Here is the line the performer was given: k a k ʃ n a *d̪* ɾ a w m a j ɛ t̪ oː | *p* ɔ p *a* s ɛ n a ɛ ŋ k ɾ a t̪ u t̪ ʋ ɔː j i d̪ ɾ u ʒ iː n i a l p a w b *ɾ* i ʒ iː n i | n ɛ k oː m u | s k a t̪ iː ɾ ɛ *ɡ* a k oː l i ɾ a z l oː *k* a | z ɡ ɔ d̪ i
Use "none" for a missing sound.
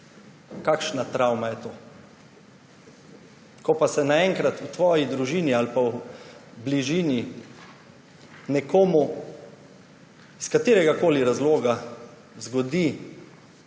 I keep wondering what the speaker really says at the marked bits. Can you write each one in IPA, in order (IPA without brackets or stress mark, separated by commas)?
t̪, k, a, l, ɡ, ɡ